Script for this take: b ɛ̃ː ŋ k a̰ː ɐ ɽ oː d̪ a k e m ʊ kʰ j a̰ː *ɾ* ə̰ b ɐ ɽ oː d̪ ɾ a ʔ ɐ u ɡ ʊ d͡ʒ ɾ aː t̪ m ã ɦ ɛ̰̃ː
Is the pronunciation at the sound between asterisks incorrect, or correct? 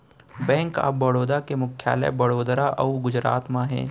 incorrect